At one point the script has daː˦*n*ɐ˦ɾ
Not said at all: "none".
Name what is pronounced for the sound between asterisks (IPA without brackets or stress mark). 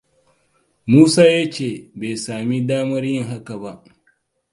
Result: m